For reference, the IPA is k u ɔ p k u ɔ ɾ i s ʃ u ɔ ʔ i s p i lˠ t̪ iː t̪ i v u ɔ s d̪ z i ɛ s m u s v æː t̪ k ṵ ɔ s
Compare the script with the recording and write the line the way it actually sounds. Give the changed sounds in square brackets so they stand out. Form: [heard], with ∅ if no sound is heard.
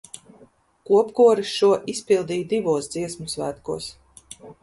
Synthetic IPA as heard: k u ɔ p k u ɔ ɾ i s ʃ u ɔ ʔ i s p i lˠ [d̪] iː [d̪] i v u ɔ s d̪ z i ɛ s m u s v æː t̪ k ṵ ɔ s